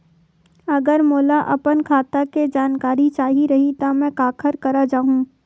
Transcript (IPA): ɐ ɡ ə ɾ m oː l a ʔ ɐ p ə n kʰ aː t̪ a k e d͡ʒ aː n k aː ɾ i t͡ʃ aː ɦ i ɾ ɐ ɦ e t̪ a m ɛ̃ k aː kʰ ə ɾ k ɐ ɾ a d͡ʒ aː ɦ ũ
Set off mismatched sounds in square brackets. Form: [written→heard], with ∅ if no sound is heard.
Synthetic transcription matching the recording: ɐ ɡ ə ɾ m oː l a ʔ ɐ p ə n kʰ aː t̪ a k e d͡ʒ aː n k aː ɾ i t͡ʃ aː ɦ i ɾ ɐ ɦ [e→i] t̪ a m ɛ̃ k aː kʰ ə ɾ k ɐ ɾ a d͡ʒ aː ɦ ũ